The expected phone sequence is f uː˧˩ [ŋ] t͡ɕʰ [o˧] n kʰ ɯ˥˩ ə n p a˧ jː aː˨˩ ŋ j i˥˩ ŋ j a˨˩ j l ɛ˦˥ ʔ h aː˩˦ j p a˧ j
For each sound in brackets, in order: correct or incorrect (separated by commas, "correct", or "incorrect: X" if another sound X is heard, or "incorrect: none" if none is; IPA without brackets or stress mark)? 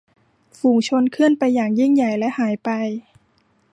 correct, correct